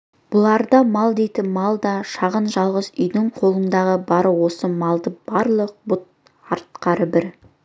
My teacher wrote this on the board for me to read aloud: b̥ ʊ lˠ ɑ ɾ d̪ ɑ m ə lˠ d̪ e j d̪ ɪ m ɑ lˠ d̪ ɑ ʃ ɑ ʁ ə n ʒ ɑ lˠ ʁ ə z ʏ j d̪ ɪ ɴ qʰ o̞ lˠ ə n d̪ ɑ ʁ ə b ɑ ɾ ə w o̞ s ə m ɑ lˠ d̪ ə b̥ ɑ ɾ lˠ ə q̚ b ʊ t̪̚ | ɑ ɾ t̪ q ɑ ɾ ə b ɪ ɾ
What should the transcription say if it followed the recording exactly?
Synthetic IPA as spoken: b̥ ʊ lˠ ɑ ɾ d̪ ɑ m ɑ lˠ d̪ e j t̪ ɪ m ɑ lˠ d̪ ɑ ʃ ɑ ʁ ə n ʒ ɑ lˠ ʁ ə z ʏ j d̪ ɪ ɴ qʰ o̞ lˠ ə n d̪ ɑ ʁ ə b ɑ ɾ ə w o̞ s ə m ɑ lˠ d̪ ə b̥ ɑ ɾ lˠ ə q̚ b ʊ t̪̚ | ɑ ɾ t̪ q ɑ ɾ ə b ɪ ɾ